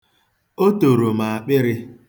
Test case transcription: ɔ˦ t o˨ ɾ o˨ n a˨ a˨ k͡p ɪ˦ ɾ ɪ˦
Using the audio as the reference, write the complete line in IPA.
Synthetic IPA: o˦ t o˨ ɾ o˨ m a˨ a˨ k͡p ɪ˦ ɾ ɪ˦